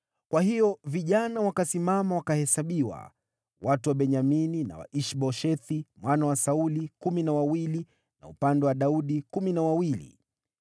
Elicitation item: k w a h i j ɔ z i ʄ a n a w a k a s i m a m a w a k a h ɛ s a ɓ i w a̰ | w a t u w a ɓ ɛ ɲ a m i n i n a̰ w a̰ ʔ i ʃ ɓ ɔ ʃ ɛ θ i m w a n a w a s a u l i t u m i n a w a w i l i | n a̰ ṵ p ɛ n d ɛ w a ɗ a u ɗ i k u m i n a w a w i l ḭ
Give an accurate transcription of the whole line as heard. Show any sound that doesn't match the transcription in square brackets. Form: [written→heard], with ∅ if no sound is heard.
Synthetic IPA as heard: k w a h i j ɔ [z→v] i ʄ a n a w a k a s i m a m a w a k a h ɛ s a ɓ i w a̰ | w a t u w a ɓ ɛ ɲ a m i n i n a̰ w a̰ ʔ i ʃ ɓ ɔ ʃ ɛ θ i m w a n a w a s a u l i [t→k] u m i n a w a w i l i | n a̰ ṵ p [ɛ→a] n d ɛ w a ɗ a u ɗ i k u m i n a w a w i l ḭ